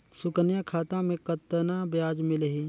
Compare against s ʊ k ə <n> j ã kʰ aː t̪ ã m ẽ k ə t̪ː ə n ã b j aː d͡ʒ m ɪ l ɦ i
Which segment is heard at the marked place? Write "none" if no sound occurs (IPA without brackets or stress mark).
n